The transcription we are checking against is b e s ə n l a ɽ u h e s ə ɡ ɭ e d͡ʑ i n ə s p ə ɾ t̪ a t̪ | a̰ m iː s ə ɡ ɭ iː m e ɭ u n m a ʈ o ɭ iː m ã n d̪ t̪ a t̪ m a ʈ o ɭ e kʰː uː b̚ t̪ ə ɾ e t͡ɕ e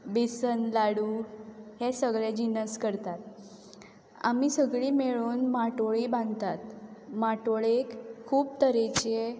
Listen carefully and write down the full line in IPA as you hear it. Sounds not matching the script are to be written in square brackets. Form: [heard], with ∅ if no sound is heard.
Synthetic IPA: b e s ə n l a ɽ u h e s ə ɡ ɭ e d͡ʑ i n ə s [k] ə ɾ t̪ a t̪ | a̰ m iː s ə ɡ ɭ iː m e ɭ [uː] n m a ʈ o ɭ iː [b] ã n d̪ t̪ a t̪ m a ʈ o ɭ e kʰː uː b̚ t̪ ə ɾ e t͡ɕ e

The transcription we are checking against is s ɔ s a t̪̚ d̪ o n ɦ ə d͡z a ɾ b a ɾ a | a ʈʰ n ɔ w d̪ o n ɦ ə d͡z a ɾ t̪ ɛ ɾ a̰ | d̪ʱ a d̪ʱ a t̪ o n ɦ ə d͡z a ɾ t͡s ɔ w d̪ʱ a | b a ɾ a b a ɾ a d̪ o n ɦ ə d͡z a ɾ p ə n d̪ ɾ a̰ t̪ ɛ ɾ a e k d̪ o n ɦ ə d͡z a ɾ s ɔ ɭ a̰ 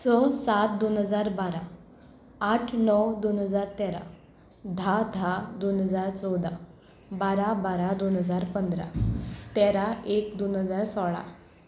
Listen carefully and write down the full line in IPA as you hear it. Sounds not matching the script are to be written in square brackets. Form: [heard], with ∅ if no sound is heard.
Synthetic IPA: s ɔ s a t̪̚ d̪ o n ɦ ə d͡z a ɾ b a ɾ a | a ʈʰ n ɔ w d̪ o n ɦ ə d͡z a ɾ t̪ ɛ ɾ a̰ | d̪ʱ a d̪ʱ a [d̪] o n ɦ ə d͡z a ɾ t͡s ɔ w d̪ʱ a | b a ɾ a b a ɾ a d̪ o n ɦ ə d͡z a ɾ p ə n d̪ ɾ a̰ t̪ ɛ ɾ a e k d̪ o n ɦ ə d͡z a ɾ s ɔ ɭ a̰

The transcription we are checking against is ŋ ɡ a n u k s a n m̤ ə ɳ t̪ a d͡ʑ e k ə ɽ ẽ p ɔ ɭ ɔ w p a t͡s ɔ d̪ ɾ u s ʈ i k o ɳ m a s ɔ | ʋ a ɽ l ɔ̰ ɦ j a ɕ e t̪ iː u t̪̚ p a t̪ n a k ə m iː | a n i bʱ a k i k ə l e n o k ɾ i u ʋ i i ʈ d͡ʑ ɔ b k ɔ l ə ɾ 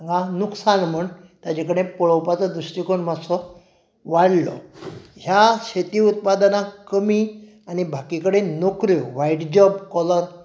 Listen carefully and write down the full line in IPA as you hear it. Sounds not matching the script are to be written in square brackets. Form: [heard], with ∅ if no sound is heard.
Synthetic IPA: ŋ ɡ a n u k s a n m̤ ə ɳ t̪ a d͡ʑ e k ə ɽ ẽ p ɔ ɭ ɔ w p a t͡s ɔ d̪ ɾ u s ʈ i k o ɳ m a s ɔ | ʋ a ɽ l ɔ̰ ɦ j a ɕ e t̪ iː u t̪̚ p a [d̪] n a k ə m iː | a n i bʱ a k i k ə [ɽ] e n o k ɾ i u ʋ [a] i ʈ d͡ʑ ɔ b k ɔ l ə ɾ

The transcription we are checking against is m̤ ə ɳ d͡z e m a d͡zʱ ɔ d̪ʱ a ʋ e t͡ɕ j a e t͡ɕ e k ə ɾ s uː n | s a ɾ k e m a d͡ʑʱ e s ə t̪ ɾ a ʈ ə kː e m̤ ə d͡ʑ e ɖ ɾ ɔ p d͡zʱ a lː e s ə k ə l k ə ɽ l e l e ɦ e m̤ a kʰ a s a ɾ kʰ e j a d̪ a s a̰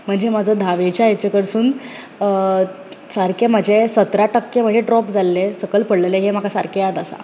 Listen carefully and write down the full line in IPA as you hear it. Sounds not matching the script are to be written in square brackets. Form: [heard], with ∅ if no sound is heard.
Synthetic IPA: m̤ ə ɳ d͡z e m a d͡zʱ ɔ d̪ʱ a ʋ e t͡ɕ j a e t͡ɕ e k ə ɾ s uː n | s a ɾ k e m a d͡ʑʱ e s ə t̪ ɾ a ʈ ə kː e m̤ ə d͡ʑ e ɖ ɾ ɔ p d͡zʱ a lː e s ə k ə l [p] ə ɽ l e l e ɦ e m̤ a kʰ a s a ɾ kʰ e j a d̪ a s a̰

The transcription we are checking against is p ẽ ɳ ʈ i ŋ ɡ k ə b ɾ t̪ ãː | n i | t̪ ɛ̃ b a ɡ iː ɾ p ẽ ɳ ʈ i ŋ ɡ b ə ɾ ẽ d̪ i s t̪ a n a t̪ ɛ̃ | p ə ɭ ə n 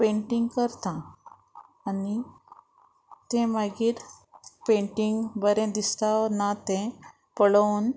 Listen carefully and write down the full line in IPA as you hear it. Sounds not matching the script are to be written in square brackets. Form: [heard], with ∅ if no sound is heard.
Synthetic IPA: p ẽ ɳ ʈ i ŋ ɡ k ə [∅] ɾ t̪ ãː | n i | t̪ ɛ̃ [m] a ɡ iː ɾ p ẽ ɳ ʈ i ŋ ɡ b ə ɾ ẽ d̪ i s t̪ a n a t̪ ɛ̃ | p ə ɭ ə n

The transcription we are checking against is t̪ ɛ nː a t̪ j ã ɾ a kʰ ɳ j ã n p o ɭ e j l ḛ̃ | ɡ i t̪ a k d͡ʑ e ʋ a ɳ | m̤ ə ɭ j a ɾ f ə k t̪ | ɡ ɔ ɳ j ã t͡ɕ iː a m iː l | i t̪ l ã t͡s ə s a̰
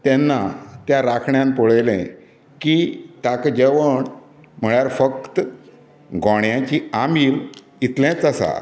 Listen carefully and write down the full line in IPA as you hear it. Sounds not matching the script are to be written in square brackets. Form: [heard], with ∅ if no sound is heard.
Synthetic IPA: t̪ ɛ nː a t̪ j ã ɾ a kʰ ɳ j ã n p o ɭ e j l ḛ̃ | [k] i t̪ a k d͡ʑ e ʋ [ə] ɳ | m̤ ə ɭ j a ɾ f ə k t̪ | ɡ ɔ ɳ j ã t͡ɕ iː a m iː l | i t̪ l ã t͡s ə s a̰

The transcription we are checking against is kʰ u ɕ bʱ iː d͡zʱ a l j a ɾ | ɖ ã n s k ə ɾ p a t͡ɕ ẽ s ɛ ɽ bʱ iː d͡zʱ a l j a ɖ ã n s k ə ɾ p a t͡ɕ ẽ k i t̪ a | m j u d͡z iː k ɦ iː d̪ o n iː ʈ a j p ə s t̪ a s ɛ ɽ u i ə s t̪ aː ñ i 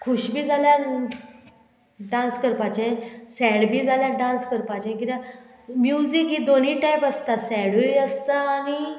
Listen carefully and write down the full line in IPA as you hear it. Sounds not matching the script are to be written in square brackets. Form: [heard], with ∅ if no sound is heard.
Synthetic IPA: kʰ u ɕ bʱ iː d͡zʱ a l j a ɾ | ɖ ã n s k ə ɾ p a t͡ɕ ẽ s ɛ ɽ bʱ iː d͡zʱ a l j a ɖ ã n s k ə ɾ p a t͡ɕ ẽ k i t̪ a | m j u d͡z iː k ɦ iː d̪ o n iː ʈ a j p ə s t̪ a s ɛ ɽ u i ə s t̪ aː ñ i

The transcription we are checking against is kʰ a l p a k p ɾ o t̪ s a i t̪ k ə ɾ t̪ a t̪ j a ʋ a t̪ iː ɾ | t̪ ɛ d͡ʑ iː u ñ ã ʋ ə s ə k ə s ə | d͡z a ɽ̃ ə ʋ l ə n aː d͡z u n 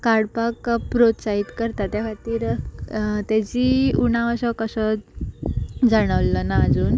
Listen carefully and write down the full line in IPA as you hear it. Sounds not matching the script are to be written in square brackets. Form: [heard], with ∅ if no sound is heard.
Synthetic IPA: [k] a [ɽ] p a k p ɾ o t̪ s a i t̪ k ə ɾ t̪ a t̪ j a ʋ a t̪ iː ɾ | t̪ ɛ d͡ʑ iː u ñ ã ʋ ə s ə k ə s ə | d͡z a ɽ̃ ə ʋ l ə n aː d͡z [uː] n

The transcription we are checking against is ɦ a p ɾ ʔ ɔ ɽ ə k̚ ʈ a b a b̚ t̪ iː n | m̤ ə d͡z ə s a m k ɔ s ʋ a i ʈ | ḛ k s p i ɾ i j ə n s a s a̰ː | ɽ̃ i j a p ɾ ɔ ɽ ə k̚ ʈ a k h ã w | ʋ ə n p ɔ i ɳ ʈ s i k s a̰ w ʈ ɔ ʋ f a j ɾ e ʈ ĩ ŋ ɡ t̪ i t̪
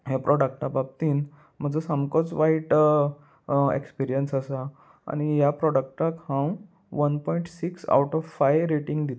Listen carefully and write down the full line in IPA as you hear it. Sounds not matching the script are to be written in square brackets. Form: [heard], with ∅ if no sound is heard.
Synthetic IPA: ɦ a p ɾ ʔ ɔ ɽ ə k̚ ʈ a b a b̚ t̪ iː n | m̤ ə d͡z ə s a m k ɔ [t͡s] ʋ a i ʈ | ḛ k s p i ɾ i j ə n s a s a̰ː | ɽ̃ i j a p ɾ ɔ ɽ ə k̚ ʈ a k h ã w | ʋ ə n p ɔ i ɳ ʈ s i k s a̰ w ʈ ɔ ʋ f a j ɾ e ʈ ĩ ŋ ɡ [d̪] i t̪

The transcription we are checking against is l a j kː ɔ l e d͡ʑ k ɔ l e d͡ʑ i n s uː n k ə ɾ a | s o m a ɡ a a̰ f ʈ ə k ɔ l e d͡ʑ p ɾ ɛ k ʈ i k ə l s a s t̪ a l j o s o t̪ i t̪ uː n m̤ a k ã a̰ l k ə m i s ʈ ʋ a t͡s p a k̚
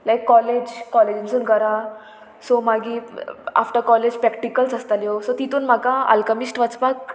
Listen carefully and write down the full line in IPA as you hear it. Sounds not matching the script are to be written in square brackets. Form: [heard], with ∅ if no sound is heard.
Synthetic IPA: l a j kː ɔ l e d͡ʑ k ɔ l e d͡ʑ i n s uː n k ə ɾ a | s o m a ɡ [i] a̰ f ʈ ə k ɔ l e d͡ʑ p ɾ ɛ k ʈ i k ə l s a s t̪ a l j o s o t̪ i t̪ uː n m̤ a k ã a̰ l k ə m i s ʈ ʋ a t͡s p a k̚

